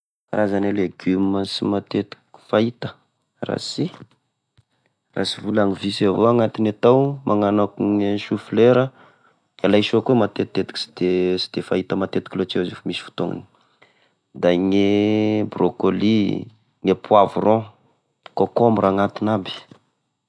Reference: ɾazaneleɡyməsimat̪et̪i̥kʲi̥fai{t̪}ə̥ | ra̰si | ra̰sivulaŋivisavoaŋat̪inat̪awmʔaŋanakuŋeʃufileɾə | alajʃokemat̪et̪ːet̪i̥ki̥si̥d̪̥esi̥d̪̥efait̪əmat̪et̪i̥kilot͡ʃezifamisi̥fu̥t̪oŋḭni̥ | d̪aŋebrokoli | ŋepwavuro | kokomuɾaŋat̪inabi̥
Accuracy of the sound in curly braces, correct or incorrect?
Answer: correct